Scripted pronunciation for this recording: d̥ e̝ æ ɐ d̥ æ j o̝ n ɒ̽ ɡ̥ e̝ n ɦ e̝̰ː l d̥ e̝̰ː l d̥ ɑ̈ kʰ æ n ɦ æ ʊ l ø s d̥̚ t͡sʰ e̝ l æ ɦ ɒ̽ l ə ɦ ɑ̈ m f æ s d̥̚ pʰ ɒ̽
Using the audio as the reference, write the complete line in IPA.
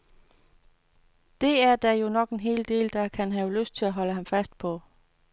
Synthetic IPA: d̥ e̝ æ ɐ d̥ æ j o̝ n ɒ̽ ɡ̥ e̝ n ɦ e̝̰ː l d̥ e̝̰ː l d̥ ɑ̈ kʰ æ n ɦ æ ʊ l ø s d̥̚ t͡sʰ e̝ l æ ɦ ɒ̽ l ə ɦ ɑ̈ m f æ s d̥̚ pʰ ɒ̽

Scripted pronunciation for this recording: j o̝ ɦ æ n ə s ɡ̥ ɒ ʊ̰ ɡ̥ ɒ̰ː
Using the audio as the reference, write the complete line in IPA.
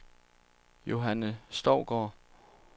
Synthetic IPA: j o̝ ɦ æ n ə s d̥ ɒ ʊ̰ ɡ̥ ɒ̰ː

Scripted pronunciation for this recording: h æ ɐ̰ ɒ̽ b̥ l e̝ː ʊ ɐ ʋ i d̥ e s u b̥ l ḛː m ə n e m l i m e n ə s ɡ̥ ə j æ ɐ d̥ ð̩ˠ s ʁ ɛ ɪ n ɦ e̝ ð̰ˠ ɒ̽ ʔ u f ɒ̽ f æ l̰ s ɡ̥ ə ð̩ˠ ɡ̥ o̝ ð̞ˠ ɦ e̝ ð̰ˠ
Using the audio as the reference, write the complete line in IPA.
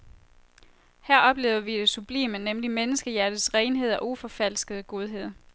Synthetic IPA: h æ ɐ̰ ɒ̽ b̥ l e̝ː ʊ ɐ ʋ i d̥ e s u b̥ l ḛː m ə n e m l i m e n ə s ɡ̥ ə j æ ɐ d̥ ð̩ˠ s ʁ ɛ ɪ n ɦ e̝ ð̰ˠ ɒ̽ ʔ u f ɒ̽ f æ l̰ s ɡ̥ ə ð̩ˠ ɡ̥ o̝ ð̞ˠ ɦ e̝ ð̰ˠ

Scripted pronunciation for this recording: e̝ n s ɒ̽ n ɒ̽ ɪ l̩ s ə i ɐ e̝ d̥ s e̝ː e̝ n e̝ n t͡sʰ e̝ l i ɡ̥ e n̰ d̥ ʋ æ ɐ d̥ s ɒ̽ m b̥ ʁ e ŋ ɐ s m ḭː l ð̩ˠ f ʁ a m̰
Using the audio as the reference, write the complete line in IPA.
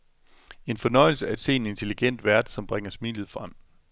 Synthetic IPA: e̝ n f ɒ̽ n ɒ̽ ɪ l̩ s ə æ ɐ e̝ d̥ s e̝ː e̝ n e̝ n t͡sʰ e̝ l i ɡ̥ e n̰ d̥ ʋ æ ɐ d̥ s ɒ̽ m b̥ ʁ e ŋ ɐ s m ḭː l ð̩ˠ f ʁ a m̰

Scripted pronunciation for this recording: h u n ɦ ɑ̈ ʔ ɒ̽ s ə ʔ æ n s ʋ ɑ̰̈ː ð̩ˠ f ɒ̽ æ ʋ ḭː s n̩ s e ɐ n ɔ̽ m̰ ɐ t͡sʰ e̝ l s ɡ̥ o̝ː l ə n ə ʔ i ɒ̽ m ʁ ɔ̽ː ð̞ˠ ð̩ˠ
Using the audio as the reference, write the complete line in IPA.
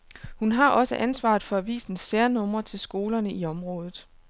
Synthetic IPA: h u n ɦ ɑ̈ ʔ ɒ̽ s ə ʔ æ n s ʋ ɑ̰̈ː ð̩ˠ f ɒ̽ æ ʋ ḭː s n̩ s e ɐ n ɔ̽ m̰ ɐ t͡sʰ e̝ l s ɡ̥ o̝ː l ɐ n ə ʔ i ɒ̽ m ʁ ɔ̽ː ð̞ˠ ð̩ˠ

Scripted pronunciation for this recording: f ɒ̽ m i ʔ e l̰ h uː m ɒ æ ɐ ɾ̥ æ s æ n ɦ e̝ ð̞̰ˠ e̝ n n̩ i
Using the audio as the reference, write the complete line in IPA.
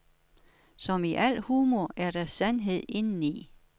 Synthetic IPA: s ɒ̽ m i ʔ æ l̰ h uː m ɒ æ ɐ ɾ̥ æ s æ n ɦ e̝ ð̞̰ˠ e̝ n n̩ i

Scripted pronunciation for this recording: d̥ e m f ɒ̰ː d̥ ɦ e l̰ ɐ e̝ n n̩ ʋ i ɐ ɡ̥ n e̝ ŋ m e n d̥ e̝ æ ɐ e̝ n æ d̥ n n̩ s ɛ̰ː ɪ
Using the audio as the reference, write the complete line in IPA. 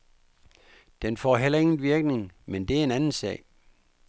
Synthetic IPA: d̥ e n f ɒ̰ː ɦ e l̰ ɐ e̝ ŋ n̩ ʋ i ɐ ɡ̥ n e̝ ŋ m e n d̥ e̝ æ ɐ e̝ n æ n n̩ s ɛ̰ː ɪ

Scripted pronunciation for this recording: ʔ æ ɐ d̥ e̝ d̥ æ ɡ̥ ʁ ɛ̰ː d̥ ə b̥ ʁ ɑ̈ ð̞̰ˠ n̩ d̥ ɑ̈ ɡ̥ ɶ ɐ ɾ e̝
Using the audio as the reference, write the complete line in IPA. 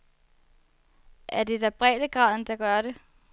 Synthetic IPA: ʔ æ ɐ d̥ e̝ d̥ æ b̥ ʁ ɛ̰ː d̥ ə ɡ̥ ʁ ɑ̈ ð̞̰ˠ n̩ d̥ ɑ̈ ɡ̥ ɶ ɐ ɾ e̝

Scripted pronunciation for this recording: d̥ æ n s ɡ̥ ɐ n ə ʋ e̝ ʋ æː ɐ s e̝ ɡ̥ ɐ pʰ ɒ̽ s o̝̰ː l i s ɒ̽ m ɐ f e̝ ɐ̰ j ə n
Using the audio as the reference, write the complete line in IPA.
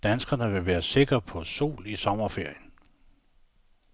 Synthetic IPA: d̥ æ n s ɡ̥ ɐ n ə ʋ e̝ ʋ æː ɐ s e̝ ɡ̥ ɐ pʰ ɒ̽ s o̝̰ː l i s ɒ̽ m ɐ f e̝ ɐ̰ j ə n

